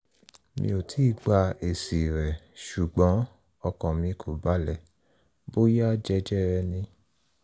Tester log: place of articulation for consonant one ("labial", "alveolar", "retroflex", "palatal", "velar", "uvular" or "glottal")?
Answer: labial